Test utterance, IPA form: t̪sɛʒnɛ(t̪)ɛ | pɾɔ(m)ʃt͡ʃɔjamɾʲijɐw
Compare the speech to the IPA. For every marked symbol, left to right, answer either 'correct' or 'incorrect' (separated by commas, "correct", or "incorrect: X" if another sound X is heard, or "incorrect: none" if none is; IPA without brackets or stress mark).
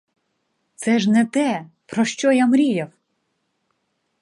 correct, incorrect: none